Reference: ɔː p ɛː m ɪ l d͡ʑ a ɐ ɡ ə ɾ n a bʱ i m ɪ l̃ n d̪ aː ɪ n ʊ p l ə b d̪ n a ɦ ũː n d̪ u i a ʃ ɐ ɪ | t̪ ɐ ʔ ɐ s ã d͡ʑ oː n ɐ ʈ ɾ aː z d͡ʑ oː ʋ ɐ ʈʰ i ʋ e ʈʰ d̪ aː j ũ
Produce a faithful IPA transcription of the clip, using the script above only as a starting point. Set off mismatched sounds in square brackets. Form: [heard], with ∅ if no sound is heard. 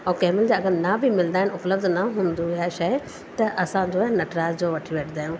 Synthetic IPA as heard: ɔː [k] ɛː m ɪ l d͡ʑ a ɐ ɡ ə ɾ n a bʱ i m ɪ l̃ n d̪ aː ɪ n ʊ p l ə b d̪ n a ɦ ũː n d̪ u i a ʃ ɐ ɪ | t̪ ɐ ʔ ɐ s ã d͡ʑ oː n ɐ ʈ ɾ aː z d͡ʑ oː ʋ ɐ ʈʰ i ʋ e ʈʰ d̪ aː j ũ

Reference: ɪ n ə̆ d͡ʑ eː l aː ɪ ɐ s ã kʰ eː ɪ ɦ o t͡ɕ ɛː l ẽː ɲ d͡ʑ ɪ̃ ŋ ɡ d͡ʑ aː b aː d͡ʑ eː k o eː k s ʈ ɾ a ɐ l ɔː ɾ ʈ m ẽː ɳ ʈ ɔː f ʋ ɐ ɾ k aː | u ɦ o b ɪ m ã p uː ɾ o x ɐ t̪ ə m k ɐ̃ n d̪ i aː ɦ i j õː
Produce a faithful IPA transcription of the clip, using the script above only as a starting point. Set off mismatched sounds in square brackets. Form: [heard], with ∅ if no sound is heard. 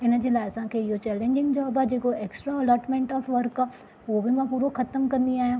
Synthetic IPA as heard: ɪ n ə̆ d͡ʑ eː l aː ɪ ɐ s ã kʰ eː ɪ ɦ o t͡ɕ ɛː l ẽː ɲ d͡ʑ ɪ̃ ŋ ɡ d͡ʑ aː b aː d͡ʑ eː k o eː k s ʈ ɾ a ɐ l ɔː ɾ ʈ m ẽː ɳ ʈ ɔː f ʋ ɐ ɾ k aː | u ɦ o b ɪ m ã p uː ɾ o x ɐ t̪ ə m k ɐ̃ n d̪ i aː ɦ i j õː

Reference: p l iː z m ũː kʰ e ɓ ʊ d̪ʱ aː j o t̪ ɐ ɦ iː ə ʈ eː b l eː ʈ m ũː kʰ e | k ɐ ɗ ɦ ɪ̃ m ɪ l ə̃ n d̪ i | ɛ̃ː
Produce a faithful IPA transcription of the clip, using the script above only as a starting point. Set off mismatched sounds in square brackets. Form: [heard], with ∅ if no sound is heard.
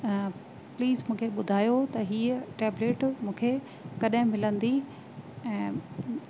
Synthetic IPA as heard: p l iː z m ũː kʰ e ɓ ʊ d̪ʱ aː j o t̪ ɐ ɦ iː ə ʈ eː b l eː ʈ m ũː kʰ e | k ɐ ɗ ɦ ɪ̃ m ɪ l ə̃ n d̪ i | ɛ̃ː

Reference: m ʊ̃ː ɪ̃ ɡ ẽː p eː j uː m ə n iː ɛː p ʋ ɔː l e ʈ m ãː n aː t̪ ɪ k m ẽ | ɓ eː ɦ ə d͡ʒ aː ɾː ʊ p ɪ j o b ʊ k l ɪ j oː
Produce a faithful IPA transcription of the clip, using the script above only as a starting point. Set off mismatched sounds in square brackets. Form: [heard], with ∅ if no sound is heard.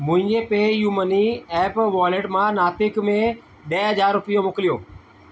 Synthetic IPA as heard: m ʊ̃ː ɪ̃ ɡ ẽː p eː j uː m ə n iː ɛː p ʋ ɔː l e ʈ m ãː n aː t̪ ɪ k m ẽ | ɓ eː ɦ ə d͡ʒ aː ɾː ʊ p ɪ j o [m] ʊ k l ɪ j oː

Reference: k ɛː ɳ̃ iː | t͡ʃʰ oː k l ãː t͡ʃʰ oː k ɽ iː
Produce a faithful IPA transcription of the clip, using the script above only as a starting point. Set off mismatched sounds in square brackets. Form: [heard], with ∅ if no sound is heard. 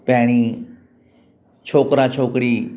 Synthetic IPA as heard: [p] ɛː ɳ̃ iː | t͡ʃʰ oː k [ɾ] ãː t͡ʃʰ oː k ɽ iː

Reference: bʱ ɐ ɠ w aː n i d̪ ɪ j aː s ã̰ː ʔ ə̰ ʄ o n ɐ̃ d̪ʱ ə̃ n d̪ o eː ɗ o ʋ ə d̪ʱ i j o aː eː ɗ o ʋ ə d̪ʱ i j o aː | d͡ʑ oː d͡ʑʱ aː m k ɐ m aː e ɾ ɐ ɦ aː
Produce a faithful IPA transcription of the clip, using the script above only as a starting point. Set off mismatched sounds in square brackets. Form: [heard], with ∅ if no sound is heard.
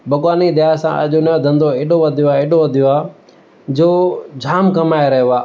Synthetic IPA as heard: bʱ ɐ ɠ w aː n i d̪ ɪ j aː s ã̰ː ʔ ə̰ ʄ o n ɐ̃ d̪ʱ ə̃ n d̪ o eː ɗ o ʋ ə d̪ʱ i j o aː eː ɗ o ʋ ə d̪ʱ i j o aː | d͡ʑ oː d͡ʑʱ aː m k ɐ m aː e ɾ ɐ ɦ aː

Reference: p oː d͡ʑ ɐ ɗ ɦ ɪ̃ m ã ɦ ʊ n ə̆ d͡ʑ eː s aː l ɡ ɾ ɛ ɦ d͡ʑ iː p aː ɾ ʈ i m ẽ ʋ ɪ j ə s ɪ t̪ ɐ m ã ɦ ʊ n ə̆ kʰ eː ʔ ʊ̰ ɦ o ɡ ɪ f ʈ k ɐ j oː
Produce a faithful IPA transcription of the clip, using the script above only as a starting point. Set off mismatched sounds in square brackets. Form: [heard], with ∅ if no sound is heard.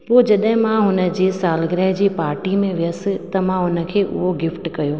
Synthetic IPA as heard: p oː d͡ʑ ɐ ɗ ɦ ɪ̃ m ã ɦ ʊ n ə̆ d͡ʑ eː s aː l ɡ ɾ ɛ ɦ d͡ʑ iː p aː ɾ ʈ i m ẽ ʋ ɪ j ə s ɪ t̪ ɐ m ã ɦ ʊ n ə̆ kʰ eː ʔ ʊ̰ ɦ o ɡ ɪ f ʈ k ɐ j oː

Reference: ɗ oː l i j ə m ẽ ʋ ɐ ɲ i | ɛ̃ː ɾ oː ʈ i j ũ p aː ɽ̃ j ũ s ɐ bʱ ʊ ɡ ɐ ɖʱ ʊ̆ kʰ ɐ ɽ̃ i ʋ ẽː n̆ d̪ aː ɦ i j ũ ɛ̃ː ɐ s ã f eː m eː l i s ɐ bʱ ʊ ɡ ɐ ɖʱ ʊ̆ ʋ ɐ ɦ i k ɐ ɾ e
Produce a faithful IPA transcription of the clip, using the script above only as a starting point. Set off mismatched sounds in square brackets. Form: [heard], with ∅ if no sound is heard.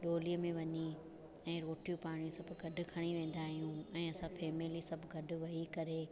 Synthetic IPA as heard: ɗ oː l i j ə m ẽ ʋ ɐ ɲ i | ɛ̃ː ɾ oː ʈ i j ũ p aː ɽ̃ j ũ s ɐ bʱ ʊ ɡ ɐ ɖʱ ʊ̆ kʰ ɐ ɽ̃ i ʋ ẽː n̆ d̪ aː ɦ i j ũ ɛ̃ː ɐ s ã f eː m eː l i s ɐ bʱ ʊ ɡ ɐ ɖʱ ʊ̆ ʋ ɐ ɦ i k ɐ ɾ e

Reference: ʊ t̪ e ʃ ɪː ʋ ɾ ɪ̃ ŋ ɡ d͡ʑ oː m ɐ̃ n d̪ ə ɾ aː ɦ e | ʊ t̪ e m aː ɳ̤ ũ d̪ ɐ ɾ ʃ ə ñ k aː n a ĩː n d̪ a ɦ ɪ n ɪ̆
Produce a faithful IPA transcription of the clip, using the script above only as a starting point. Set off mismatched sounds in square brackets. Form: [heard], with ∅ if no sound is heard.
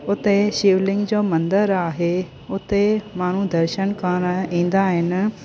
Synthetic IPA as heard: ʊ t̪ e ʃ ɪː ʋ [l] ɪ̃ ŋ ɡ d͡ʑ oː m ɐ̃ n d̪ ə ɾ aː ɦ e | ʊ t̪ e m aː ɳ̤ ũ d̪ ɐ ɾ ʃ ə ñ k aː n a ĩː n d̪ a ɦ ɪ n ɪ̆

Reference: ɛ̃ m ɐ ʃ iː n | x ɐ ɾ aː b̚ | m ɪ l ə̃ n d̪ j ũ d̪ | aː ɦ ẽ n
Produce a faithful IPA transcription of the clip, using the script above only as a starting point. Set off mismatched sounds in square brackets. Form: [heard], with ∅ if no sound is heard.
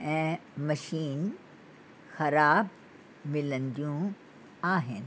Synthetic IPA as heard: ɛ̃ m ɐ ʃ iː n | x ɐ ɾ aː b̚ | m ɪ l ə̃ n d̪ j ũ [∅] | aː ɦ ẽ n

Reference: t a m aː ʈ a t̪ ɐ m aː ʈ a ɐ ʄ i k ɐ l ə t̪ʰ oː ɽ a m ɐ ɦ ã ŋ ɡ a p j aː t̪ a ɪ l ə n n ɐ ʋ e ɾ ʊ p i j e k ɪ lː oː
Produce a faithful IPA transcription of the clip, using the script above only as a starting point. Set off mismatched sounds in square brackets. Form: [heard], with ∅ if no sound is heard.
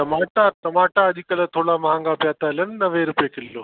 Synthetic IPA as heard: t [ɐ] m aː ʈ a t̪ ɐ m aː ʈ a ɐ ʄ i k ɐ l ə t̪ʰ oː ɽ a m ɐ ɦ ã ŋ ɡ a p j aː t̪ a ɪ l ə n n ɐ ʋ e ɾ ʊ p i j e k ɪ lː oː

